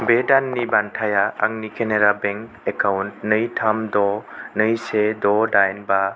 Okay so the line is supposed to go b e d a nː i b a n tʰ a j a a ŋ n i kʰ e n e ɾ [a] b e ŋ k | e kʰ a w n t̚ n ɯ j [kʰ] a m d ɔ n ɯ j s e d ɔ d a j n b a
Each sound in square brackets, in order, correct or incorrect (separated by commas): correct, incorrect